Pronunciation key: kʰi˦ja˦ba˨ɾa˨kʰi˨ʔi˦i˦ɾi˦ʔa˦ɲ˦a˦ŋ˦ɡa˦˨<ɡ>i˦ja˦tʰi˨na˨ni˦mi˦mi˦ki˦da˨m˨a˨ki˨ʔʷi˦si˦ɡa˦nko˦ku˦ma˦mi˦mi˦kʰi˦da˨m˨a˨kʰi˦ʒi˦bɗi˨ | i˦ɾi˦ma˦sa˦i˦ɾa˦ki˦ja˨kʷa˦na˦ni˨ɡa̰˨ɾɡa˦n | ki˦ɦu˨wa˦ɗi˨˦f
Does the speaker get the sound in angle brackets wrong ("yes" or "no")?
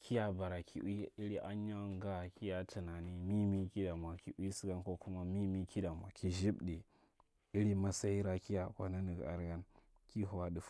yes